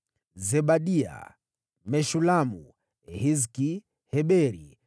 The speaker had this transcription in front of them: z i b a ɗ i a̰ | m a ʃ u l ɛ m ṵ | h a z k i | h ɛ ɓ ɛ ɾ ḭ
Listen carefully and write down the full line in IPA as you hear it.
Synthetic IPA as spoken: z ɛ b a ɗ i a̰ | m ɛ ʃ u l a m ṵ | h i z k i | h ɛ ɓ ɛ ɾ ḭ